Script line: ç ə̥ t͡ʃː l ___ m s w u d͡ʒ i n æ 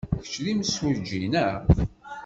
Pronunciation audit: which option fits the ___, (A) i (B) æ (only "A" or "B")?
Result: A